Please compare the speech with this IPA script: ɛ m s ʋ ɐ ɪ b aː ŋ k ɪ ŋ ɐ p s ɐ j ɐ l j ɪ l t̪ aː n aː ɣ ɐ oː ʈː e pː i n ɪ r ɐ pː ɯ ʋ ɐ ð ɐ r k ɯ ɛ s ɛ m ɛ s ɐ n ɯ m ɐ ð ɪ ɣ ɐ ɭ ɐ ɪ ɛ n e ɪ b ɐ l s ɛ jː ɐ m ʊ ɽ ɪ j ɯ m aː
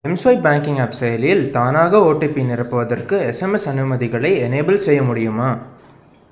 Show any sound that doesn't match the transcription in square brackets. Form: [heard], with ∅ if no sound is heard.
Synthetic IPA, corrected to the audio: ɛ m s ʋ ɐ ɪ b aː ŋ k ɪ ŋ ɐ p s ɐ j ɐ l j ɪ l t̪ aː n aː ɣ ɐ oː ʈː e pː i n ɪ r ɐ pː ɯ ʋ ɐ ð ɐ r k ɯ ɛ s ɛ m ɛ s ɐ n ɯ m ɐ ð ɪ ɣ ɐ ɭ ɐ ɪ ɛ n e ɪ b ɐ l s ɛ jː ɐ m ʊ ɽ ɪ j ɯ m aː